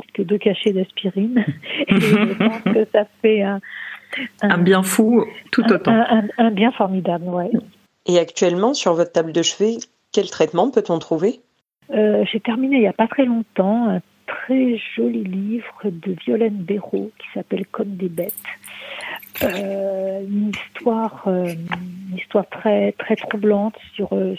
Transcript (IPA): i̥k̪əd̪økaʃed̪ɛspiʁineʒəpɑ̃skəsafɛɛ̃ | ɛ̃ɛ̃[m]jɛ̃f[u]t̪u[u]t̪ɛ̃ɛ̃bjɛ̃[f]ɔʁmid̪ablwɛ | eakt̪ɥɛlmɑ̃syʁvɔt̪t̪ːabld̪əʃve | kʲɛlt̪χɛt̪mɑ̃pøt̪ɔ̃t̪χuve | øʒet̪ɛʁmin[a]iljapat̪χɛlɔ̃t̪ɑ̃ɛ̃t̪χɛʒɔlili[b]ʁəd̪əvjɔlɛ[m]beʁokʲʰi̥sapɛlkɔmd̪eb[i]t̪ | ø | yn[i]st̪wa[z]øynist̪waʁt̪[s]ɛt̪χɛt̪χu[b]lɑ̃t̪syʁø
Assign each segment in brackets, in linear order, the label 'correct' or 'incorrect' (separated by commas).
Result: incorrect, correct, incorrect, correct, incorrect, incorrect, incorrect, incorrect, correct, incorrect, incorrect, correct